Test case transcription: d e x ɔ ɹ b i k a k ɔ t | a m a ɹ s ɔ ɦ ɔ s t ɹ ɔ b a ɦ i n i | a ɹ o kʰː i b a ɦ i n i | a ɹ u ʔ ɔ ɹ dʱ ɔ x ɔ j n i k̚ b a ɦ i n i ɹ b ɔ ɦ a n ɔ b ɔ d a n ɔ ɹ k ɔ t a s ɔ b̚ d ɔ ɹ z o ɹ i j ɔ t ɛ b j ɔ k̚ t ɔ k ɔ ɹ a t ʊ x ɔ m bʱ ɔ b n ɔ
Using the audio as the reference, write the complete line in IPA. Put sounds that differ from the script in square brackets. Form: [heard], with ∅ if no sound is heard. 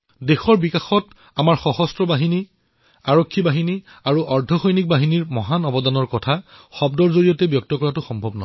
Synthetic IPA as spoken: d e x ɔ ɹ b i k a [x] ɔ t | a m a ɹ [x] ɔ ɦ ɔ s t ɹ ɔ b a ɦ i n i | a ɹ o kʰː i b a ɦ i n i | a ɹ u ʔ ɔ ɹ dʱ ɔ x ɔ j n i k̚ b a ɦ i n i ɹ [m] ɔ ɦ a n ɔ b ɔ d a n ɔ ɹ k ɔ [tʰ] a [x] ɔ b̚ d ɔ ɹ z o ɹ i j ɔ t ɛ b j ɔ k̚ t ɔ k ɔ ɹ a t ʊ x ɔ m bʱ ɔ b n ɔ